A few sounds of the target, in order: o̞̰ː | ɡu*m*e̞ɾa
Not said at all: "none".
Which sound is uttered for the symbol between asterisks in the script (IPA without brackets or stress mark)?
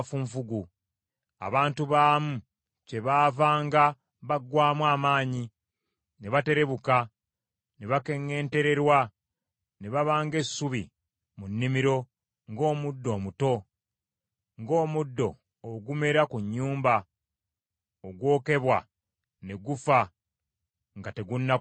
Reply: m